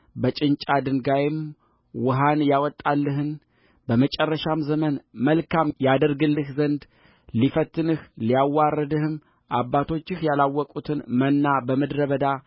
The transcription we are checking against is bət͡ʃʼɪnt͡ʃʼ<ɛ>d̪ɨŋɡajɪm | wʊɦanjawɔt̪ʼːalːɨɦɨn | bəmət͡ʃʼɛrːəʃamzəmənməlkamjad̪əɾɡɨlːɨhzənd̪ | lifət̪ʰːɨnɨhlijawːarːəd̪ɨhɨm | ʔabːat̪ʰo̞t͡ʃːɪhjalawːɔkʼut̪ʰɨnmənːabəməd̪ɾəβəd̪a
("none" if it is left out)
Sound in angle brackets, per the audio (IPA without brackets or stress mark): a